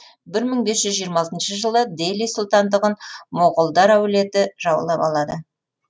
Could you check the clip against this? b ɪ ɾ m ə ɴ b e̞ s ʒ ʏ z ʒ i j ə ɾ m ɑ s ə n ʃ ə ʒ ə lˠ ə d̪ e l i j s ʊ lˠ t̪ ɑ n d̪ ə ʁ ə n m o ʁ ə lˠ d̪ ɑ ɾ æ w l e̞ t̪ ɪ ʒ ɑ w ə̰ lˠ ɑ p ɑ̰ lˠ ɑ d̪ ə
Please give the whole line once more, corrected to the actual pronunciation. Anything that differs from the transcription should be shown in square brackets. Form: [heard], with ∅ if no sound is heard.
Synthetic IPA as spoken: b ɪ ɾ m ə ɴ b e̞ s ʒ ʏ z ʒ i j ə ɾ m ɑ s ə n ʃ ə ʒ ə lˠ ə d̪ e l i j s ʊ lˠ t̪ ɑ n d̪ ə ʁ ə n m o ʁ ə lˠ d̪ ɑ ɾ æ w l e̞ t̪ ɪ ʒ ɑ w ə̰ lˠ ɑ p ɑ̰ lˠ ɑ d̪ ə